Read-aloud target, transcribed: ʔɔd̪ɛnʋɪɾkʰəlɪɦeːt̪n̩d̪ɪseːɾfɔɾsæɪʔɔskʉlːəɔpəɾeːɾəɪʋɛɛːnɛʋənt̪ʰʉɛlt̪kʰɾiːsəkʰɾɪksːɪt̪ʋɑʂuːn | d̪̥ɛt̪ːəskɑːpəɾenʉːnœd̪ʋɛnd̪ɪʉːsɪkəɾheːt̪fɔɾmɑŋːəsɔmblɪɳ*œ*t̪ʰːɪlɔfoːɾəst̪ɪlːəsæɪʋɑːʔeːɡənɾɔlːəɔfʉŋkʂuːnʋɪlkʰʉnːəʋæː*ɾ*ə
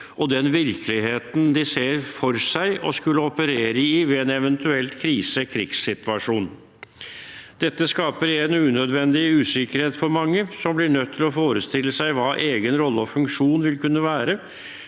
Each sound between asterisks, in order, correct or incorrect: correct, correct

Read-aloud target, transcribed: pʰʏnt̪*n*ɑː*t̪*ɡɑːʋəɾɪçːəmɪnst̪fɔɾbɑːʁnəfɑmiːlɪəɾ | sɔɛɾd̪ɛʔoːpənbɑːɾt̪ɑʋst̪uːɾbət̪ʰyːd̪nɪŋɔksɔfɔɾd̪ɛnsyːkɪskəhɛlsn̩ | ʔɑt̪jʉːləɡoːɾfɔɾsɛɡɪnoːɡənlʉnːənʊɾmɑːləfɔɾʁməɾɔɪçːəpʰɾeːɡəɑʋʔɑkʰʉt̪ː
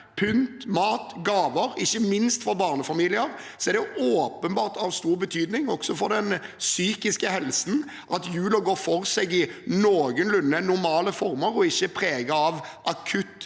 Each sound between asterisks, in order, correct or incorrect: incorrect: m, correct

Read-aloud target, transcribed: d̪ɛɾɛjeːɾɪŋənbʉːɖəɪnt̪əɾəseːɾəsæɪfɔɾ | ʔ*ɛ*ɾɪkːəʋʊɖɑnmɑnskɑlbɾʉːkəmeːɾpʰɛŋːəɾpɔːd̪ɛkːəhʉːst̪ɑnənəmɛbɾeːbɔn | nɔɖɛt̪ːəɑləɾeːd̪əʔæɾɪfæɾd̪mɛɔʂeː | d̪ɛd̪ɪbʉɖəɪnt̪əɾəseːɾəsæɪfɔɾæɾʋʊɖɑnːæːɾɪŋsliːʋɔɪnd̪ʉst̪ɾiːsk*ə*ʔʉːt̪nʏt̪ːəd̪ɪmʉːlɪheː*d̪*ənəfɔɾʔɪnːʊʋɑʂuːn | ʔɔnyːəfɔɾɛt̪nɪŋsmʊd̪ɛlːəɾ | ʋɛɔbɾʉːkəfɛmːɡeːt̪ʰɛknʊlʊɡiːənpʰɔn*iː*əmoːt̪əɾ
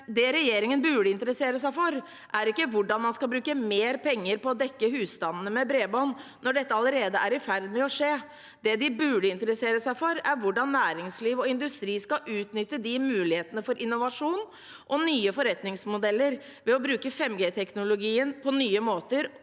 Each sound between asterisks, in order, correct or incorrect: incorrect: æ, incorrect: ɑ, incorrect: t̪, incorrect: yː

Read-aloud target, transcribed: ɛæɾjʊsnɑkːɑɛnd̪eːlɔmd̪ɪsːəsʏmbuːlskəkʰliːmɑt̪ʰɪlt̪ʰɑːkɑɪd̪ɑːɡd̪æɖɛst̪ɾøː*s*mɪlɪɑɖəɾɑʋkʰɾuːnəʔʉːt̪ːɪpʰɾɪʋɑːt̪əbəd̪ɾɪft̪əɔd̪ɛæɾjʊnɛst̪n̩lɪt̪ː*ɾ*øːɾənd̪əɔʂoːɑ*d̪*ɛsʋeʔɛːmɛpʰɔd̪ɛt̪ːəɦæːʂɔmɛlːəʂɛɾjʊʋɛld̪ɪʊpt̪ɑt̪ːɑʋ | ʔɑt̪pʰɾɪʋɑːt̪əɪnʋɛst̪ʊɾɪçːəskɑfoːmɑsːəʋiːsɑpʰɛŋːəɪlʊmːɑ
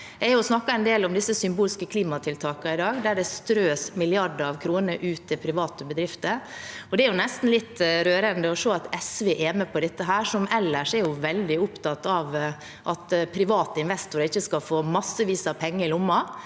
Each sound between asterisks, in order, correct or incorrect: correct, correct, incorrect: t̪

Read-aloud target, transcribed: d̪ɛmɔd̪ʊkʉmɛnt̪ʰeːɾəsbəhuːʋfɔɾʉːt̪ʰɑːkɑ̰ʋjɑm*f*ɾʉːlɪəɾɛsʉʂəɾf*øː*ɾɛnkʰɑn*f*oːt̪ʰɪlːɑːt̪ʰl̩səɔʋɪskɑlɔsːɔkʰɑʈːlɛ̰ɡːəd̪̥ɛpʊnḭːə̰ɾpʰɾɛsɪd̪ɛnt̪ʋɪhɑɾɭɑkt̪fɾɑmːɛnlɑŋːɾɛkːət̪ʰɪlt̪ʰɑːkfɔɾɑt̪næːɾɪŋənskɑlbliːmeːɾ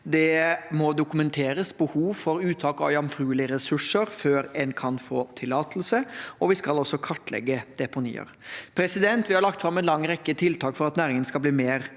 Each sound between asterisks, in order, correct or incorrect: correct, correct, correct

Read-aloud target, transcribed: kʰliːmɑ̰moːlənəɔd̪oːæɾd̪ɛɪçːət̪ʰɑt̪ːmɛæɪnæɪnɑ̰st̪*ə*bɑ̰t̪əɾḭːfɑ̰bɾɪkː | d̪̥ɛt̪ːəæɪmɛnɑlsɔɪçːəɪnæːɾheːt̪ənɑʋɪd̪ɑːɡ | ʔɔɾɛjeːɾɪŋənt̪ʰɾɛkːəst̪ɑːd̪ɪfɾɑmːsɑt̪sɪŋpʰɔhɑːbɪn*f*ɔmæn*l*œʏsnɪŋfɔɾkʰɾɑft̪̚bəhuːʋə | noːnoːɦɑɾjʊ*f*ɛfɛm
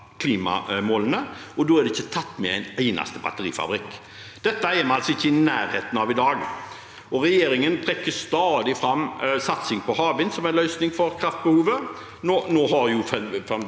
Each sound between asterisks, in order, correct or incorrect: correct, incorrect: s, correct, correct

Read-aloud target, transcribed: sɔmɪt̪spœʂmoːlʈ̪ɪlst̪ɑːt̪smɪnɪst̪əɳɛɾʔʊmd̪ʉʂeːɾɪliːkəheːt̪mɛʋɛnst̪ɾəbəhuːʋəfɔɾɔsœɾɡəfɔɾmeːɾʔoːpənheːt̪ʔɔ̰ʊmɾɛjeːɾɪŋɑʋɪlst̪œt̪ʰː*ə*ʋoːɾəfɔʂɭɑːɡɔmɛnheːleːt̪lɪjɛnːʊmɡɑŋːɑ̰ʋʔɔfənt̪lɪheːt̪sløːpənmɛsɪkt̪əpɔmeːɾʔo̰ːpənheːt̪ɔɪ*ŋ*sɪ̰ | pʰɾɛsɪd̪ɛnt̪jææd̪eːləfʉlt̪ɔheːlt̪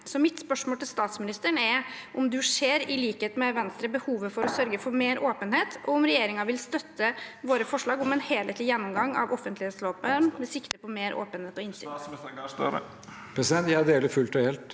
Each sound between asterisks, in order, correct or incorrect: correct, incorrect: n

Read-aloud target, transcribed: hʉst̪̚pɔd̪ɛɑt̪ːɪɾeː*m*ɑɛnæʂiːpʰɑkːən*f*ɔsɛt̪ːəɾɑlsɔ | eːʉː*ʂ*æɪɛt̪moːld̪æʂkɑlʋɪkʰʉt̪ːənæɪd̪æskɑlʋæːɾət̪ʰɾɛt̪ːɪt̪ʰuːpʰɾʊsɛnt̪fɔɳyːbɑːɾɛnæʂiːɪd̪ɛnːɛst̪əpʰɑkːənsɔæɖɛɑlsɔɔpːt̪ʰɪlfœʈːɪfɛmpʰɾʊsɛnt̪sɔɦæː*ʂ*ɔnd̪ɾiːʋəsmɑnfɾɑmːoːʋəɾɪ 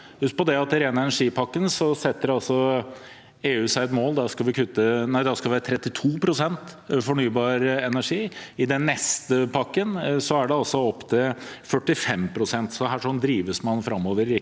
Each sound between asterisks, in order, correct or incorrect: incorrect: n, incorrect: s, incorrect: s, correct

